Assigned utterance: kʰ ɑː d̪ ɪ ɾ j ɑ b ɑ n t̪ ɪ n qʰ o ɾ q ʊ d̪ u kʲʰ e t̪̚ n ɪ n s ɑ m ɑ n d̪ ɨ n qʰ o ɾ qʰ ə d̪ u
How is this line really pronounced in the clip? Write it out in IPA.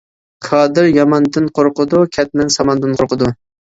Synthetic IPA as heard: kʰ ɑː d̪ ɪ ɾ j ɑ m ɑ n d̪ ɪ n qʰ o ɾ q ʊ d̪ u kʲʰ ɛ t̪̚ n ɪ n s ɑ m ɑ n d̪ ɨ n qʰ o ɾ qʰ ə d̪ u